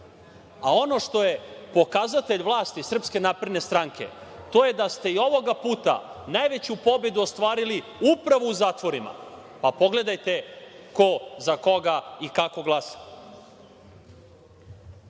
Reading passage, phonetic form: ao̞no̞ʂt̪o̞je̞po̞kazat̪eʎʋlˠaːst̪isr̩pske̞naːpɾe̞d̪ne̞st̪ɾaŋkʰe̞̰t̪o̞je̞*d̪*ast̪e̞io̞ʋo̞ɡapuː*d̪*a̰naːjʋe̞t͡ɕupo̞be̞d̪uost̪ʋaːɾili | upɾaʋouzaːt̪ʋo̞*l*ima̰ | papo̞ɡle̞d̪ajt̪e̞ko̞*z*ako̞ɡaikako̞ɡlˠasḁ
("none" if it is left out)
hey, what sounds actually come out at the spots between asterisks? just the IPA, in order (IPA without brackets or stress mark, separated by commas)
d̪, t̪, ɾ, z